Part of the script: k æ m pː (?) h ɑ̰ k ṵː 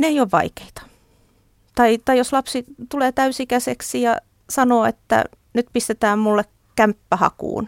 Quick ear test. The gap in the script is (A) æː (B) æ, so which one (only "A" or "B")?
B